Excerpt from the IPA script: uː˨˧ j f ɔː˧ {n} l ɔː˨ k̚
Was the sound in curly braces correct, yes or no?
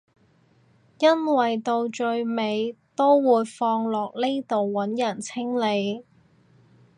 no